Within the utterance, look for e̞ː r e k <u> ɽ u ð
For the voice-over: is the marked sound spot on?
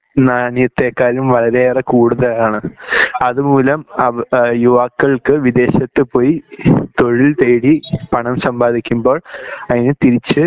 no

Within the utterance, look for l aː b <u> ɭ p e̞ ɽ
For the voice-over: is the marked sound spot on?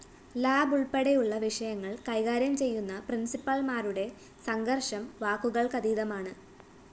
yes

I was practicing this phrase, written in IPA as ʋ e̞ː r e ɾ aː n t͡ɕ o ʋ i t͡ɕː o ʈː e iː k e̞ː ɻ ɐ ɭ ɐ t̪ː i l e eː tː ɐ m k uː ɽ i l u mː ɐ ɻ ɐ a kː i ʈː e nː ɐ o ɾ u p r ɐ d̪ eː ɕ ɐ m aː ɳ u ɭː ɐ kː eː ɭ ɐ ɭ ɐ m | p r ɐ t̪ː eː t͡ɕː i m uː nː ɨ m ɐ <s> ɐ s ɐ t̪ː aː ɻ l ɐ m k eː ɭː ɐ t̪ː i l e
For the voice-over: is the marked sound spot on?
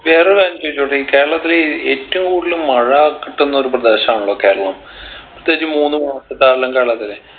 no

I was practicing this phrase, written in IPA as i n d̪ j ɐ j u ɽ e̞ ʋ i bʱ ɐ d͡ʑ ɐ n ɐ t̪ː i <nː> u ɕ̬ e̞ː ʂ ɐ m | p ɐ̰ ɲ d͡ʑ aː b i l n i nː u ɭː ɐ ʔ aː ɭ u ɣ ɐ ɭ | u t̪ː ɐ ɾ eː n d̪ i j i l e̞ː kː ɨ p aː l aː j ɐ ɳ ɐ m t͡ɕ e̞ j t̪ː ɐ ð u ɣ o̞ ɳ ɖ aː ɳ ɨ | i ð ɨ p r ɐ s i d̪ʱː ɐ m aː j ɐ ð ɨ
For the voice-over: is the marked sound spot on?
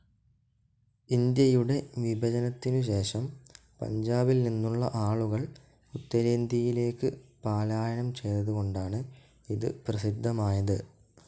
no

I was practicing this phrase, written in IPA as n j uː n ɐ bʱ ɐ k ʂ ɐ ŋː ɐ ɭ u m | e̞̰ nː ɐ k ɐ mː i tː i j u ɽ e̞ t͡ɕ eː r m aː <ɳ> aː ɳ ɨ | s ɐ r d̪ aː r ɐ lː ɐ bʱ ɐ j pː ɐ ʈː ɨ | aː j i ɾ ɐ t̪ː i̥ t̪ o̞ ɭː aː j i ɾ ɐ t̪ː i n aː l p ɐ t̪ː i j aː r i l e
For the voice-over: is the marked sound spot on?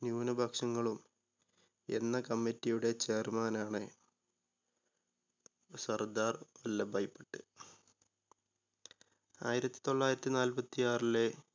no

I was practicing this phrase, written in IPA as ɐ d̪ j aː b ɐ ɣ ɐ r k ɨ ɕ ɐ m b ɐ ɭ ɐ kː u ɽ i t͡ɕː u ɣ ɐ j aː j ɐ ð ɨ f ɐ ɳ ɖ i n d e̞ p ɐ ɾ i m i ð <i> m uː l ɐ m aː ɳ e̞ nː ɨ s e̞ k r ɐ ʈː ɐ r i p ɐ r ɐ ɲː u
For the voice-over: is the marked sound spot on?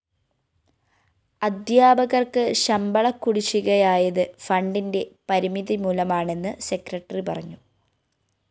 yes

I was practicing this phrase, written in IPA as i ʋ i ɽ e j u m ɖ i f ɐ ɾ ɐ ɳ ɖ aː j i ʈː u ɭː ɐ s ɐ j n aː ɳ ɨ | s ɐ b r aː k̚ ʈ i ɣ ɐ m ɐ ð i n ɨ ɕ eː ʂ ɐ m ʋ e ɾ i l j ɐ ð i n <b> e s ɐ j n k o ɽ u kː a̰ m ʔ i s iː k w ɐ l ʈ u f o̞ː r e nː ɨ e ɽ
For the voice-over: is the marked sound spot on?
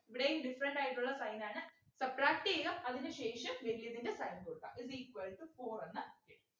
no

